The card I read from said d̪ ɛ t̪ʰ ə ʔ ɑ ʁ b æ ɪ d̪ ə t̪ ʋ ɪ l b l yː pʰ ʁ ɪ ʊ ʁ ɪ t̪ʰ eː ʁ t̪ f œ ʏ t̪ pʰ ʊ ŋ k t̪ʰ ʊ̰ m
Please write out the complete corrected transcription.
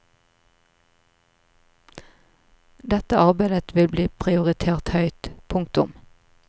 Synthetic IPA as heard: d̪ ɛ t̪ ə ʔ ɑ ʁ b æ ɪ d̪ ə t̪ ʋ ɪ l b l iː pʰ ʁ ɪ ʊ ʁ ɪ t̪ʰ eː ʁ t̪ h œ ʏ t̪ pʰ ʊ ŋ k t̪ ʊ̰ m